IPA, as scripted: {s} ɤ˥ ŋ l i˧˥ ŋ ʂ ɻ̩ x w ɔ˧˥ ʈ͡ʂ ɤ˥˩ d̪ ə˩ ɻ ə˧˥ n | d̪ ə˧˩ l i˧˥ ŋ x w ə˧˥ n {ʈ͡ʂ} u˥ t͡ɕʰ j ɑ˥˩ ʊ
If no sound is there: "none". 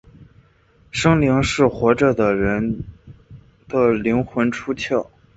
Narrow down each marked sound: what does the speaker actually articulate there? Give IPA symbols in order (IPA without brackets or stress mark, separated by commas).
ʂ, ʈ͡ʂʰ